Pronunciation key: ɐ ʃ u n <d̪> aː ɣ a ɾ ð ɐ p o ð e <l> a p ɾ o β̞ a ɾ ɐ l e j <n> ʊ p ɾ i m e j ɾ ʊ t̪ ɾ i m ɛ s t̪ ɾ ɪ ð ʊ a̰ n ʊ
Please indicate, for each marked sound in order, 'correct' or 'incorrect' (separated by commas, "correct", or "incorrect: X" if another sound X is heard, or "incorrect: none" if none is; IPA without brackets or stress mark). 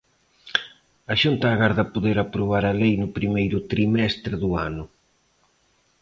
incorrect: t̪, incorrect: ɾ, correct